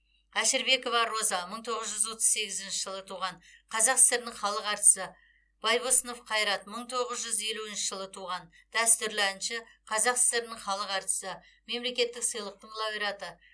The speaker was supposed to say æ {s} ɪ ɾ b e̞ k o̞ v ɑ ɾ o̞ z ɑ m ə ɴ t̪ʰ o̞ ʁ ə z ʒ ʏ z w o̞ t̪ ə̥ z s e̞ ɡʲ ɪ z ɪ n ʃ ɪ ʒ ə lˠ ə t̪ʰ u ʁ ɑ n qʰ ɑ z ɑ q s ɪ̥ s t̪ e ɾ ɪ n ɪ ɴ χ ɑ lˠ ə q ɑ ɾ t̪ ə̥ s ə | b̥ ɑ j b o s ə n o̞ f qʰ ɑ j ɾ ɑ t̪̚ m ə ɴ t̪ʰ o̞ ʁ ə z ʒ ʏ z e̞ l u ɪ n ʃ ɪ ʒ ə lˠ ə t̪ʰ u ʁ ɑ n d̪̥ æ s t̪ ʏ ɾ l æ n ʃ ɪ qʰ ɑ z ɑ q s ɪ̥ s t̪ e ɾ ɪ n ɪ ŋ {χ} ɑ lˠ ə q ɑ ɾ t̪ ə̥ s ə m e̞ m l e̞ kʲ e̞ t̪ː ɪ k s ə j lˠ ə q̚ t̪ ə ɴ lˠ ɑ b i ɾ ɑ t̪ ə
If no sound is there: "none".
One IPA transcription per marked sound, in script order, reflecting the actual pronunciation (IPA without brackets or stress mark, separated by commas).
ʃ, χ